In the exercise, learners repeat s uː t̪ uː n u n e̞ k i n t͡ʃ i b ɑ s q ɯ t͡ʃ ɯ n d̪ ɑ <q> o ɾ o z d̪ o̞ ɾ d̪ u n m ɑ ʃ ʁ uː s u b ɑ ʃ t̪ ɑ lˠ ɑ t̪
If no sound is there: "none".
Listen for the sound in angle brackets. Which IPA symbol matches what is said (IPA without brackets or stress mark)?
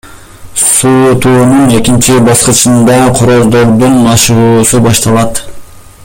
qʰ